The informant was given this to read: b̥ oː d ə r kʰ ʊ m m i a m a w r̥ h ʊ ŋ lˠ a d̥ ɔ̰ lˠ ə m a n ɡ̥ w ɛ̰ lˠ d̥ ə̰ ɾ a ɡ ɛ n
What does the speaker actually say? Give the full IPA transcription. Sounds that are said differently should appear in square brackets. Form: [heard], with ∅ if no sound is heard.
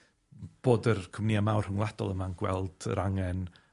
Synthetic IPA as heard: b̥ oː d ə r kʰ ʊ m [n] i a m a w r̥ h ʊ ŋ lˠ a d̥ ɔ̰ lˠ ə m a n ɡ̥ w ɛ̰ lˠ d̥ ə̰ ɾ a [ŋ] ɛ n